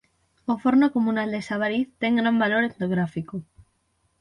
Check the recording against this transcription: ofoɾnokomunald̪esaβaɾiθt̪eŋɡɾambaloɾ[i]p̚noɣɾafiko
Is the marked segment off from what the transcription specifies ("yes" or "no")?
yes